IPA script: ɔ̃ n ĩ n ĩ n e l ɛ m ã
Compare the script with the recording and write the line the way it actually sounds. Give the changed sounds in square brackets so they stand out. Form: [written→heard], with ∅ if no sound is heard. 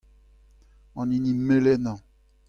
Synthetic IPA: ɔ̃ n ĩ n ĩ [n→m] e l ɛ [m→n] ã